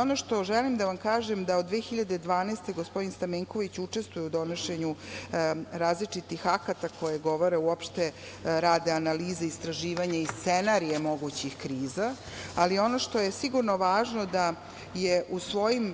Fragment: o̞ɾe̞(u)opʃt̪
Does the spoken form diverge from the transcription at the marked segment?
no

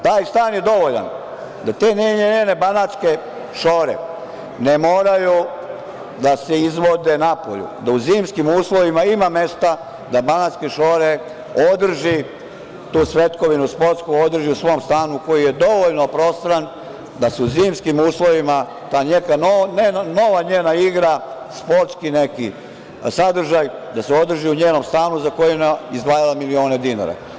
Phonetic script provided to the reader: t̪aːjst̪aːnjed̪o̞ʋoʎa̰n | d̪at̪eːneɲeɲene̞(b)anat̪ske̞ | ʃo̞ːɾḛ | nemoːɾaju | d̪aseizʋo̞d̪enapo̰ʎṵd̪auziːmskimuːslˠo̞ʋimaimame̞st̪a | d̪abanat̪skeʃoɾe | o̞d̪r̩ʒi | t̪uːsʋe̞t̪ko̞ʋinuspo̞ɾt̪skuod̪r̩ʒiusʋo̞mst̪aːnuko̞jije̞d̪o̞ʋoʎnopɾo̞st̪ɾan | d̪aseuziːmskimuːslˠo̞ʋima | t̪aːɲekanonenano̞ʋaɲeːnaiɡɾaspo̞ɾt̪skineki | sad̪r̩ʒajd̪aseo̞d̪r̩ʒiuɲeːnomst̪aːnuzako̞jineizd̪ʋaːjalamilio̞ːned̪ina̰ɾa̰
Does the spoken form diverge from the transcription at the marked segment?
no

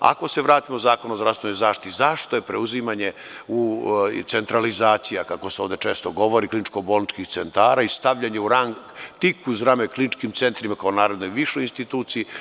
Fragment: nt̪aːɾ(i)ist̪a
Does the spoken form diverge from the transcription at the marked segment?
yes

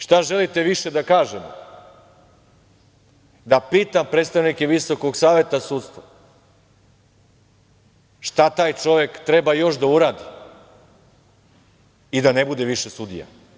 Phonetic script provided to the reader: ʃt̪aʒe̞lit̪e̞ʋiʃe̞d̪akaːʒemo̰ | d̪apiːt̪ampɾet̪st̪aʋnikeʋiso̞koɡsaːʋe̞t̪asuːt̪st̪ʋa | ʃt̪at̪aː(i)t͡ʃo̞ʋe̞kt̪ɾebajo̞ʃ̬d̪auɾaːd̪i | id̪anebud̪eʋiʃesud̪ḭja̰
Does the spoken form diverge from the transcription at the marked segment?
yes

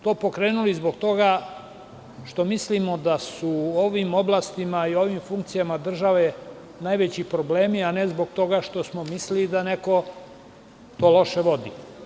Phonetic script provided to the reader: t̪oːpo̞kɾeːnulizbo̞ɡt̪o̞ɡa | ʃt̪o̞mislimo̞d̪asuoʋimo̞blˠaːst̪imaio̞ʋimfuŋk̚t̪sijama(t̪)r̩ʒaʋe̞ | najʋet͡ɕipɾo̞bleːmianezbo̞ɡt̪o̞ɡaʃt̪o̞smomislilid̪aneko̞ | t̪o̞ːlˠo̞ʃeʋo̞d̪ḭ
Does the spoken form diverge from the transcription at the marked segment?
yes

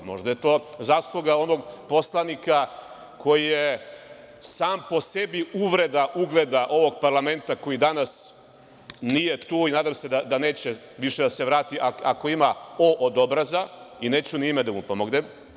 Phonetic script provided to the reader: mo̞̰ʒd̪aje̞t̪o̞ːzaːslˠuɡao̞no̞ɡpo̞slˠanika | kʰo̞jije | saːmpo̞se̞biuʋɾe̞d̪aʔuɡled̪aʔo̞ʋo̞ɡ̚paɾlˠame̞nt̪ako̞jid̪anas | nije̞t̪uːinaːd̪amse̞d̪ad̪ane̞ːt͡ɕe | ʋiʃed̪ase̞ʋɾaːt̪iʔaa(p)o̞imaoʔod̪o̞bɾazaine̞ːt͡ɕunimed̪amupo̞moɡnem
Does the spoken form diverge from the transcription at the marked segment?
yes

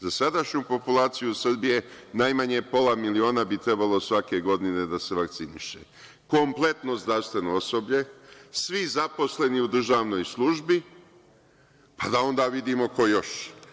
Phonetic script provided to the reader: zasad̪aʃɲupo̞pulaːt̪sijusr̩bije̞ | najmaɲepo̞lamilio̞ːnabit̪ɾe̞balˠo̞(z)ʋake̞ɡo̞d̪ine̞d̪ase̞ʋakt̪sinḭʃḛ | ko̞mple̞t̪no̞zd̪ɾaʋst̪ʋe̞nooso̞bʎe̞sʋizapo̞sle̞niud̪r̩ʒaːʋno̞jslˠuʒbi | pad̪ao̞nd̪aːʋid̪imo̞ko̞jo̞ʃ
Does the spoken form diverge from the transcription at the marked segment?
yes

